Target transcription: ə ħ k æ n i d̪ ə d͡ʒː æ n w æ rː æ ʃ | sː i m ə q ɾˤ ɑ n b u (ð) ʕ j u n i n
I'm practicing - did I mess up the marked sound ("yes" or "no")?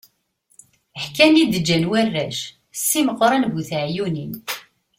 yes